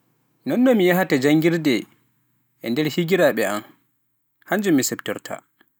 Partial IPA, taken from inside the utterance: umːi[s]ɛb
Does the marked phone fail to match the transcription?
no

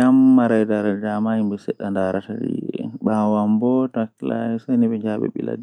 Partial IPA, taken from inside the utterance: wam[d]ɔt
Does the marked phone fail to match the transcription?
yes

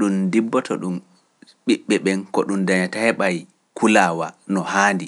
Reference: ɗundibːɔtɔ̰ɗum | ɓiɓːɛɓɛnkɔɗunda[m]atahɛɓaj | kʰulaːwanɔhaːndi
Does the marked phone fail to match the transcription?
yes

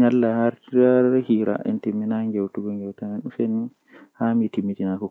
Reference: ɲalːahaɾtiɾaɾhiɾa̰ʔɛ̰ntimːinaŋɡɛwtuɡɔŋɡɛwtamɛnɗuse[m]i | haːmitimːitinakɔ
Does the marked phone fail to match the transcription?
yes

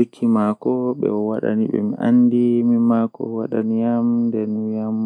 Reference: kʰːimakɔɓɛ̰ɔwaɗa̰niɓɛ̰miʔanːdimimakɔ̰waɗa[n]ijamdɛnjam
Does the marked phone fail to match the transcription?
no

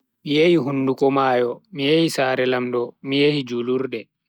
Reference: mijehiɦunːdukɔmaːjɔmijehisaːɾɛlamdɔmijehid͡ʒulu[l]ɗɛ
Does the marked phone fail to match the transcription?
yes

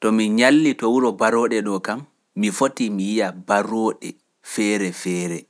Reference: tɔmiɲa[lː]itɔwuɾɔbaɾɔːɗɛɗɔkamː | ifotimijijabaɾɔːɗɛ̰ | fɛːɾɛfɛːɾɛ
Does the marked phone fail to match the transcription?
no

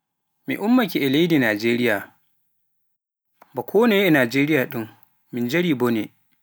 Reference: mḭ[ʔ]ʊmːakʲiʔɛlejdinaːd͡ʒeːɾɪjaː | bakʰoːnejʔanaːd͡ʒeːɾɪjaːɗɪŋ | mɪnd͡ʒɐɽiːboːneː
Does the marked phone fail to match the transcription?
no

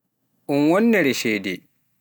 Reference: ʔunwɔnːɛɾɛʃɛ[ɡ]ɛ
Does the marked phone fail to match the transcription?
yes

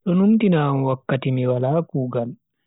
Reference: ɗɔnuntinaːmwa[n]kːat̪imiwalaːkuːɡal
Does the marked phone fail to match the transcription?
yes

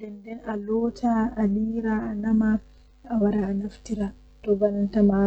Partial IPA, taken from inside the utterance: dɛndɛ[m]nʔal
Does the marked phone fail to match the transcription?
yes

